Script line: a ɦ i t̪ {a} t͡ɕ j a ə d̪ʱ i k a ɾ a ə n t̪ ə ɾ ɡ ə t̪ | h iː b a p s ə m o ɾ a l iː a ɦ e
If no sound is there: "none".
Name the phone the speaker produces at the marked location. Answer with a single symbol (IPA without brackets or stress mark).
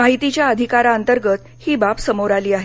i